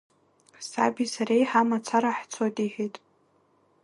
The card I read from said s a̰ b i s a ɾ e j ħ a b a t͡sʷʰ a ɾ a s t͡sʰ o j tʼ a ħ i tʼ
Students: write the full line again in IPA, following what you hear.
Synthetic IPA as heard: s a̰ b i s a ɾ e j ħ a m a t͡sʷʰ a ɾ a ħ t͡sʰ o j tʼ i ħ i tʼ